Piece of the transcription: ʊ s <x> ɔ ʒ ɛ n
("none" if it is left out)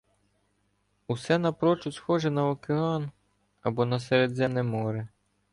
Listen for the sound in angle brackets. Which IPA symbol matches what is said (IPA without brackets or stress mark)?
x